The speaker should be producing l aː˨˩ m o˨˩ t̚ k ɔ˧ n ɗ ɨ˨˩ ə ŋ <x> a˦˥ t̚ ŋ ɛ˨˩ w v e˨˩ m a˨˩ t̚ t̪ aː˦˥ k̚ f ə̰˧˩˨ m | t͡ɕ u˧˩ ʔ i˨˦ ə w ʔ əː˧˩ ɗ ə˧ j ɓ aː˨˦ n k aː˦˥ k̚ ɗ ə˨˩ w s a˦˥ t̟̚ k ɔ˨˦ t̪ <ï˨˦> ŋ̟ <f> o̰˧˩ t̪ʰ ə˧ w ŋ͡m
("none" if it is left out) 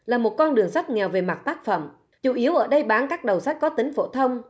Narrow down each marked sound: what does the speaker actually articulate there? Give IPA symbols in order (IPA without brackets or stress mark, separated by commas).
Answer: s, ï˨˦, f